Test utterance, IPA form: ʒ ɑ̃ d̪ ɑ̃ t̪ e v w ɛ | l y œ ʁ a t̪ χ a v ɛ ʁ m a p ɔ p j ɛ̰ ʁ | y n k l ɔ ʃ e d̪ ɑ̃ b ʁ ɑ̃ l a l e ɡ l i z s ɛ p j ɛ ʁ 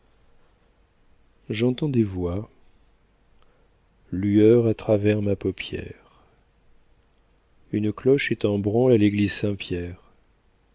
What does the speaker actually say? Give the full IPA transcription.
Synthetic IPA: ʒ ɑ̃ t̪ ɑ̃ d̪ e v w a | l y œ ʁ a t̪ χ a v ɛ ʁ m a p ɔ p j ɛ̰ ʁ | y n k l ɔ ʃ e t̪ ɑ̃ b ʁ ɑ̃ l a l e ɡ l i z s ɛ̃ p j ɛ ʁ